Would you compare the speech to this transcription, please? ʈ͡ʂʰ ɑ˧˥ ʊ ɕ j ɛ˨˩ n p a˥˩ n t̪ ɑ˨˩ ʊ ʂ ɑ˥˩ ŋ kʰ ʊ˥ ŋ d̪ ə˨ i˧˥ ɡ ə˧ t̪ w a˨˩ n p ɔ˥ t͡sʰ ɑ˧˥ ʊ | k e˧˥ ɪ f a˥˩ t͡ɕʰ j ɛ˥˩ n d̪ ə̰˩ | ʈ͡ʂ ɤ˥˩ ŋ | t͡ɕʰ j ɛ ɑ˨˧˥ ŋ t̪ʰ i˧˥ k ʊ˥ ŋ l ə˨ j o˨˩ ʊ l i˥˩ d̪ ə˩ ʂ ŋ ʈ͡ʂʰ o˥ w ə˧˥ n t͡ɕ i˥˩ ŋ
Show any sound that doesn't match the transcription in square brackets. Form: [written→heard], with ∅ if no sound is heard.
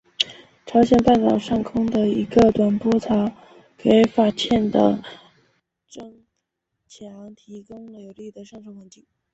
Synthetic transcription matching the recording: ʈ͡ʂʰ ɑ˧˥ ʊ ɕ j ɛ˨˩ n p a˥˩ n t̪ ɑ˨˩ ʊ ʂ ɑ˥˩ ŋ kʰ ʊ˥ ŋ d̪ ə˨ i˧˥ ɡ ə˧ t̪ w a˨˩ n p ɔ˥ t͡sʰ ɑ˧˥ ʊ | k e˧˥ ɪ f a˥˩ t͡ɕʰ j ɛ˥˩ n d̪ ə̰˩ | ʈ͡ʂ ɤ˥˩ ŋ | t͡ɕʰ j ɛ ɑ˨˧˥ ŋ t̪ʰ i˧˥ k ʊ˥ ŋ l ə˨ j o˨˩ ʊ l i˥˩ d̪ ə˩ ʂ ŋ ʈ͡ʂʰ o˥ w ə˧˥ n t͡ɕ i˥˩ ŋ